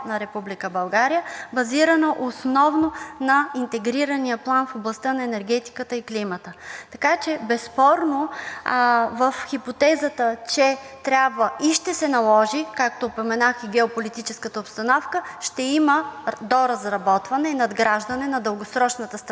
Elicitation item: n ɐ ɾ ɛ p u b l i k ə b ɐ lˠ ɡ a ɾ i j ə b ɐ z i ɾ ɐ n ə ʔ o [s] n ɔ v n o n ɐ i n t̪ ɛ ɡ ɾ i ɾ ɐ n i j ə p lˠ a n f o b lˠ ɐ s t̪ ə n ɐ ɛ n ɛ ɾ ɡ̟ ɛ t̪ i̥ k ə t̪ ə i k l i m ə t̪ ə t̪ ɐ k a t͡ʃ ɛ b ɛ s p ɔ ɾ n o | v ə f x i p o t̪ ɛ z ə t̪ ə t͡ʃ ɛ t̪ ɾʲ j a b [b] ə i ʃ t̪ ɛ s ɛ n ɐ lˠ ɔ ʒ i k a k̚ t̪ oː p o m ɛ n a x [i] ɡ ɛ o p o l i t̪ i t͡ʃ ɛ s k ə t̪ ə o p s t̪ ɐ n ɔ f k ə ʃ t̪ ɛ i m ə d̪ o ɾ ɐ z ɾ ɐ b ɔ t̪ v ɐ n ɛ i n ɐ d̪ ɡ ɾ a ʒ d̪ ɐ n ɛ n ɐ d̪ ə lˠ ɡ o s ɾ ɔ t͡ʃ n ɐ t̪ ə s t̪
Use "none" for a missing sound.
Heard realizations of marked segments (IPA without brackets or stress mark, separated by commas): s, v, i